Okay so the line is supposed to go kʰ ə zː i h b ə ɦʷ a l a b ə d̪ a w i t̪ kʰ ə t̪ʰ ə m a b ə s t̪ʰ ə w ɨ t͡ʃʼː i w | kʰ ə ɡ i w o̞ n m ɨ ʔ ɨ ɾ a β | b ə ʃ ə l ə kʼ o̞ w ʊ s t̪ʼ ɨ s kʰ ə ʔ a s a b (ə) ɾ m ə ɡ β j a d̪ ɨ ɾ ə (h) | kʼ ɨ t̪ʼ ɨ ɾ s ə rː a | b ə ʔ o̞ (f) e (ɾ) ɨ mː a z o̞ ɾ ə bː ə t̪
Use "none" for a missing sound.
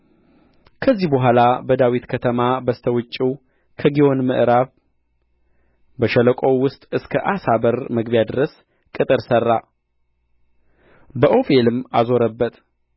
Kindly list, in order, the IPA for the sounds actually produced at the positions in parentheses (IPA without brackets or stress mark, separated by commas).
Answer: ə, s, f, l